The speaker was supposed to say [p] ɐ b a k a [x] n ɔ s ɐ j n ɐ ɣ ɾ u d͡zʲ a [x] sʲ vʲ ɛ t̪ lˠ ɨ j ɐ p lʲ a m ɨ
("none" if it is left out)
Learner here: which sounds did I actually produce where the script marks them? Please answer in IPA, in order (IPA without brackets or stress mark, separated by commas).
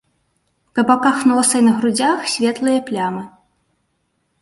k, x, x